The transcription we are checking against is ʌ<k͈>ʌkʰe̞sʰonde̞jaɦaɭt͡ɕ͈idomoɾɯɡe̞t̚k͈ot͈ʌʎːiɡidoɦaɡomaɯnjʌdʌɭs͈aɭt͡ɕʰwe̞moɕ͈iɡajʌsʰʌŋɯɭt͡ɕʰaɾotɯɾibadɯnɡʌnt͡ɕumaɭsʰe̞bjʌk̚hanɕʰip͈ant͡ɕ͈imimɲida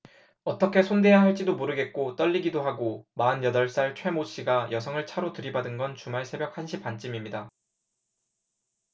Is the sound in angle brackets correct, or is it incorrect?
incorrect